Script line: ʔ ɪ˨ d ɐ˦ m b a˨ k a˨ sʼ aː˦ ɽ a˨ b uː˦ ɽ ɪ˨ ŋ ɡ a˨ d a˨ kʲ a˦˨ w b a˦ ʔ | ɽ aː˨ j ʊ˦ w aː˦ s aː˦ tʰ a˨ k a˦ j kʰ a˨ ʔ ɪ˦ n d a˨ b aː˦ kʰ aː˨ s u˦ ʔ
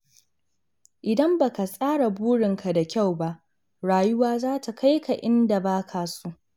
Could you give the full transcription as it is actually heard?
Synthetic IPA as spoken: ʔ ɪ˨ d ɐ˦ m b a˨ k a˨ sʼ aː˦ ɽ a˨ b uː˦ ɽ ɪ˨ ŋ k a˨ d a˨ kʲ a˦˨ w b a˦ ʔ | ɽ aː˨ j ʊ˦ w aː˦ z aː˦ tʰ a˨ k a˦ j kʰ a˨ ʔ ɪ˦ n d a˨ b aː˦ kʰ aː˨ s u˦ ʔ

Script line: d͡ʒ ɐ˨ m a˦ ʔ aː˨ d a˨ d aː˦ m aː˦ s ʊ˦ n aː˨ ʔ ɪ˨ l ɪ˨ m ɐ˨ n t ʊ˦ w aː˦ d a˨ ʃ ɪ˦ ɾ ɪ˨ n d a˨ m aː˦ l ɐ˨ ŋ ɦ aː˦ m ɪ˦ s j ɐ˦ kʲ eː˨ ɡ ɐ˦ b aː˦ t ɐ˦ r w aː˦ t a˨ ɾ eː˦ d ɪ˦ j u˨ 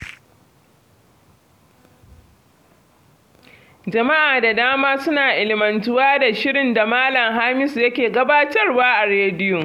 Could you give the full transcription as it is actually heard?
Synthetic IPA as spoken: d͡ʒ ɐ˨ m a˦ ʔ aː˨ d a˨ d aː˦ m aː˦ s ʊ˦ n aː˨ ʔ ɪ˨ l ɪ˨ m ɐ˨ n t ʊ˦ w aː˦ d a˨ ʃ ɪ˦ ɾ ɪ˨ n d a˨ m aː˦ l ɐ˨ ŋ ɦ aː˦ m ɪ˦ s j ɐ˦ kʲ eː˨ ɡ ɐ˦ b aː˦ t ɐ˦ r w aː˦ ʔ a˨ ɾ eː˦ d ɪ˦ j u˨

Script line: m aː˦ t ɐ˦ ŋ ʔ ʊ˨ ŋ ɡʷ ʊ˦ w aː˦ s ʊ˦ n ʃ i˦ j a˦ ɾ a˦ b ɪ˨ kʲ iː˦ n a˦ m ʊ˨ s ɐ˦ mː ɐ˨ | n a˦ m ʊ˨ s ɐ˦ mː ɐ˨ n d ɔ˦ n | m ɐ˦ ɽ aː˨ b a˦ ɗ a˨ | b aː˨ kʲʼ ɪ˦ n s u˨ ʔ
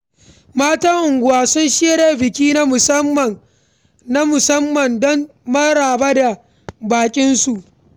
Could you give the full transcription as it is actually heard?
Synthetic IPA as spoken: m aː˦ t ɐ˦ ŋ ʔ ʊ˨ ŋ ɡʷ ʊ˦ w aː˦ s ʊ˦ n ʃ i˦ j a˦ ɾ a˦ b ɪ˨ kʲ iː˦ n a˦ m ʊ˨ s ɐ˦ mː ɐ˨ | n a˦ m ʊ˨ s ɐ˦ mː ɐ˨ n d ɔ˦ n | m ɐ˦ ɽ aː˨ b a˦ d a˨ | b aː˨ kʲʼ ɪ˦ n s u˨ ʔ

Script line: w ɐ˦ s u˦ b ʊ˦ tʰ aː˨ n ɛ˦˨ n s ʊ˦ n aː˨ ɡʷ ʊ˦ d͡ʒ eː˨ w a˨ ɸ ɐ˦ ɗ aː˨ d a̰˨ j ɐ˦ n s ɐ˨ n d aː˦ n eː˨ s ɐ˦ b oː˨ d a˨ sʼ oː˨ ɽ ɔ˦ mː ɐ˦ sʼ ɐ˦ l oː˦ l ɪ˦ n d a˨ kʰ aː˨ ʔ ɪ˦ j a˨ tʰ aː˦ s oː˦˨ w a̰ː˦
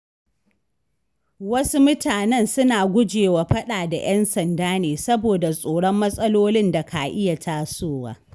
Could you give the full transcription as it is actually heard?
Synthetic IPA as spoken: w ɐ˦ s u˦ m ʊ˦ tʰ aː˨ n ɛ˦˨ n s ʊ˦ n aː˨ ɡʷ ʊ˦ d͡ʒ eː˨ w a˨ ɸ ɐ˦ ɗ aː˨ d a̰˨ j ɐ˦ n s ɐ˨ n d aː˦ n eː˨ s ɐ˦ b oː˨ d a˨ sʼ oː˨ ɽ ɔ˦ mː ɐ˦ sʼ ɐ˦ l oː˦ l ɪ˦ n d a˨ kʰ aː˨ ʔ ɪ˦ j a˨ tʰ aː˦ s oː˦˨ w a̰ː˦

